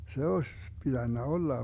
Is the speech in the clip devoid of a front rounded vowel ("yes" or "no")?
yes